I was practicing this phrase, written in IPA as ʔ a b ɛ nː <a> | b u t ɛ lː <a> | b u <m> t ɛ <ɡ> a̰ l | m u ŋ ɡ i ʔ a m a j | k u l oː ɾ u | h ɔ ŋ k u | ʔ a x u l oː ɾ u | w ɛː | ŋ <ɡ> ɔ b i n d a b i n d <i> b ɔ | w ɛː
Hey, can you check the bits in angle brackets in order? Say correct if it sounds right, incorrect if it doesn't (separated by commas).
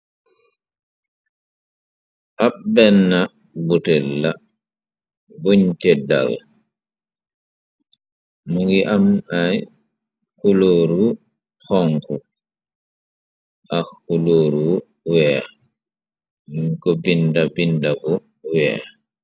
correct, correct, incorrect, incorrect, incorrect, incorrect